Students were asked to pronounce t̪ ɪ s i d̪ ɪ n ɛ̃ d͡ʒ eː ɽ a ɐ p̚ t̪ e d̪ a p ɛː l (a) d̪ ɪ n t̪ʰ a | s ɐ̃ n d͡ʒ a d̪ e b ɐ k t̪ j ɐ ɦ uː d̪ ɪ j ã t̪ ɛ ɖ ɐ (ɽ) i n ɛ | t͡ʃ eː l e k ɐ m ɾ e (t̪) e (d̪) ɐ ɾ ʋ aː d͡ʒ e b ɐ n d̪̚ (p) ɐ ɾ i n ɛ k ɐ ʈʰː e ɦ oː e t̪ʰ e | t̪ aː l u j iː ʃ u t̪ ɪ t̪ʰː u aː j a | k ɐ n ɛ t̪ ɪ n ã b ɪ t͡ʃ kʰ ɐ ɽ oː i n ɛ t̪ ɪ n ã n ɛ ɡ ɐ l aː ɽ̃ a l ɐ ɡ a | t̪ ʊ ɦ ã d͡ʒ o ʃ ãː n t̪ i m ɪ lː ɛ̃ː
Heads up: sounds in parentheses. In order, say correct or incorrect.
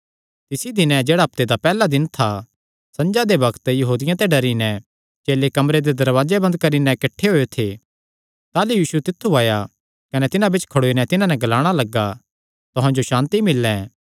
correct, incorrect: ɾ, incorrect: d̪, correct, incorrect: k

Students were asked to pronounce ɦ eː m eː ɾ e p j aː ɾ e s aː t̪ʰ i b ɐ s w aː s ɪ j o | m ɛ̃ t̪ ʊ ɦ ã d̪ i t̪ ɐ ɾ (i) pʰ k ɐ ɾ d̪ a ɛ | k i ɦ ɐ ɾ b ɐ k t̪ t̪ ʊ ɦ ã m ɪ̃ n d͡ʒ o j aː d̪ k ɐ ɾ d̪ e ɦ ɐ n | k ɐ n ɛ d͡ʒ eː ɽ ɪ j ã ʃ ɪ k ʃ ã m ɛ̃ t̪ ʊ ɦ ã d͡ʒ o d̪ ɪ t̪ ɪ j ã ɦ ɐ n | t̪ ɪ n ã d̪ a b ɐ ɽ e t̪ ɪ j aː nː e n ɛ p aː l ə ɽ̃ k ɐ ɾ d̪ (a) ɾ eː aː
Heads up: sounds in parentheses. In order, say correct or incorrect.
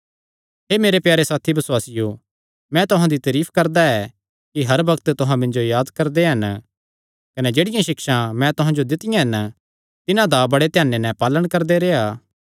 incorrect: iː, incorrect: e

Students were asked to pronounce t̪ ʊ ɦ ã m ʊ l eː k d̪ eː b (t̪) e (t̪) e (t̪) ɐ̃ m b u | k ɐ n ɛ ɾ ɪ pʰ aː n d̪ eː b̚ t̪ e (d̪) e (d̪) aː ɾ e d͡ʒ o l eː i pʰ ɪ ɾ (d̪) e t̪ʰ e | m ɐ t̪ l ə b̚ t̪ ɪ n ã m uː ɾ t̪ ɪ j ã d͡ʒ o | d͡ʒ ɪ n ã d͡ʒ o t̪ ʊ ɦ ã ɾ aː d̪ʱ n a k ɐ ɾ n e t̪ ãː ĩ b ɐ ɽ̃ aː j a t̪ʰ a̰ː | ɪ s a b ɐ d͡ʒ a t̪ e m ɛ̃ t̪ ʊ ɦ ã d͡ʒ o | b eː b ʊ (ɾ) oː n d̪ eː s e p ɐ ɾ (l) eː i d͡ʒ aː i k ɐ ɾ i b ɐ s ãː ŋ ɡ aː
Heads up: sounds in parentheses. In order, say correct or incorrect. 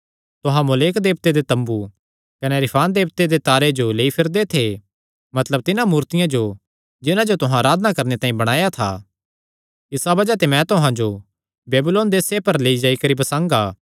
correct, incorrect: d̪, correct, correct, incorrect: t̪, correct, incorrect: l, correct

